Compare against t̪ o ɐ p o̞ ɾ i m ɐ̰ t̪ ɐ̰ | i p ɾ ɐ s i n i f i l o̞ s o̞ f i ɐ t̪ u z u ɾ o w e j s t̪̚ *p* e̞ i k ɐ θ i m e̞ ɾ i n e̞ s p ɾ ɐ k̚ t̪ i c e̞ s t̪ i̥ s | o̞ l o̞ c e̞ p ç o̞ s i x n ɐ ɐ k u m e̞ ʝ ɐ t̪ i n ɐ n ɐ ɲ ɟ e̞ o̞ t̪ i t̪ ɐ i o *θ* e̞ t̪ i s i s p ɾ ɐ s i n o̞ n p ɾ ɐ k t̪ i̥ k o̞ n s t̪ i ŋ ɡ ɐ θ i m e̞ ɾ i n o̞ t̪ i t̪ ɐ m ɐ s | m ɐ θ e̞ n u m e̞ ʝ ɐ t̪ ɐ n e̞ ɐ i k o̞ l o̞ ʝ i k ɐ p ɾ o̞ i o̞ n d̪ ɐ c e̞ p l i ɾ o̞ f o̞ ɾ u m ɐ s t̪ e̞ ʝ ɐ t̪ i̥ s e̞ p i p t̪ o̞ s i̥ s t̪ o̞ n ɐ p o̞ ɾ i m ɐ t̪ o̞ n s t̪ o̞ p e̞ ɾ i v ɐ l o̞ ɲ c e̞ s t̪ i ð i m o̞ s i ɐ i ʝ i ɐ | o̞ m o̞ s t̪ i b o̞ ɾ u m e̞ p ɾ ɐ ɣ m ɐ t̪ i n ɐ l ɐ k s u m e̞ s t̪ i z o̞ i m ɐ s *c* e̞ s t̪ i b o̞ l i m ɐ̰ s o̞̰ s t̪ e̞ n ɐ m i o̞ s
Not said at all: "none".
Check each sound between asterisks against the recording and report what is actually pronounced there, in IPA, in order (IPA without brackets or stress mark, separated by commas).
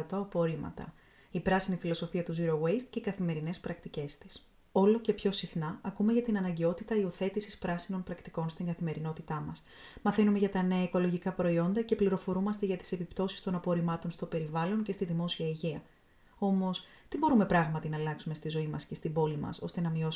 c, θ, c